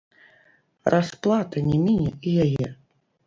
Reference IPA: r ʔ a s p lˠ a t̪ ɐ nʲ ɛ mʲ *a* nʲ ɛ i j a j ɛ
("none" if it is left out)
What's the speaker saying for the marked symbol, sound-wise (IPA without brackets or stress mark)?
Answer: i